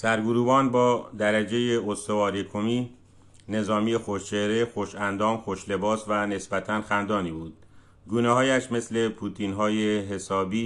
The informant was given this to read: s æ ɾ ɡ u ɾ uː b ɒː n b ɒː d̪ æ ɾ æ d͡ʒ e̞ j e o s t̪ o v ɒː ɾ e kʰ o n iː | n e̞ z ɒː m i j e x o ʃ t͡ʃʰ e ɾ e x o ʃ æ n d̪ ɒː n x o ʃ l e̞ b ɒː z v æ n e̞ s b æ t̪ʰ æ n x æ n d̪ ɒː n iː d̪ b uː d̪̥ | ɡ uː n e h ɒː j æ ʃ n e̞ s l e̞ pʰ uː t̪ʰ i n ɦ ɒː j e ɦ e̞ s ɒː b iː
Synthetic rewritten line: s æ ɾ ɡ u ɾ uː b ɒː n b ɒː d̪ æ ɾ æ d͡ʒ e̞ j e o s t̪ o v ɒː ɾ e kʰ o m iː | n e̞ z ɒː m i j e x o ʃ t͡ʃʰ e ɾ e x o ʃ æ n d̪ ɒː m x o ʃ l e̞ b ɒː s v æ n e̞ s b æ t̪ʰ æ n x æ n d̪ ɒː n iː b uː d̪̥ | ɡ uː n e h ɒː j æ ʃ m e̞ s l e̞ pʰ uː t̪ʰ i n ɦ ɒː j e ɦ e̞ s ɒː b iː